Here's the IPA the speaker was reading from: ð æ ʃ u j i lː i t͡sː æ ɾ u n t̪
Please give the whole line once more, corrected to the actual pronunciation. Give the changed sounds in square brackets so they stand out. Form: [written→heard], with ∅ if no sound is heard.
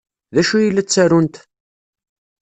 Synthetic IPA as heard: ð æ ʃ u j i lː [i→æ] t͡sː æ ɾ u n t̪